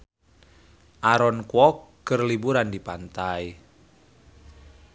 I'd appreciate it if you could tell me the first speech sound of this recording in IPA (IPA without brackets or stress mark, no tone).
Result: ʔ